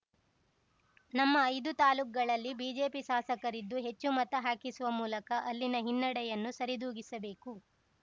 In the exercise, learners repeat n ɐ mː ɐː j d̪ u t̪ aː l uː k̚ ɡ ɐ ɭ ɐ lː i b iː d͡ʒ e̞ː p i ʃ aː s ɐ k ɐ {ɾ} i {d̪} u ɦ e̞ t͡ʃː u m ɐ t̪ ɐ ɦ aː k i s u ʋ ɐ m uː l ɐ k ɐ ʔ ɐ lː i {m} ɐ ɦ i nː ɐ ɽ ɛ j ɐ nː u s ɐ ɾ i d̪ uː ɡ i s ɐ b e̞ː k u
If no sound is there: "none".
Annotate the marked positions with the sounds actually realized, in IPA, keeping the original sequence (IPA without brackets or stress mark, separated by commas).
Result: ɾ, d̪ː, n